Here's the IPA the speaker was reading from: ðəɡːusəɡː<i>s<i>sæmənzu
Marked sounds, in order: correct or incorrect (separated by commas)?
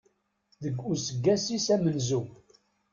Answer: incorrect, correct